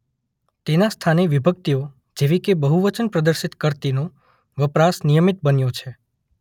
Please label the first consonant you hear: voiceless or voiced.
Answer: voiceless